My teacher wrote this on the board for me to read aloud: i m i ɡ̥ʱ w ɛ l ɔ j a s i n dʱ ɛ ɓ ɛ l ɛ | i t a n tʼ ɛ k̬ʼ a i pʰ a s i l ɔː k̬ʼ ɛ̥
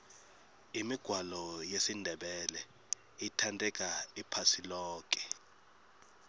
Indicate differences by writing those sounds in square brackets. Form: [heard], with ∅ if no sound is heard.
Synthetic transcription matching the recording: i m i ɡ̥ʱ w [a] l ɔ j [e] s i n dʱ ɛ ɓ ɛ l ɛ | i [tʰ] a n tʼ ɛ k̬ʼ a i pʰ a s i l ɔː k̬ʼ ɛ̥